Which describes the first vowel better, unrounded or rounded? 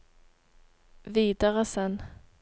unrounded